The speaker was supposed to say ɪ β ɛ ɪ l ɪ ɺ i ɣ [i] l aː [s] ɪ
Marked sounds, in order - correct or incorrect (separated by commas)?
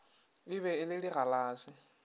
incorrect, correct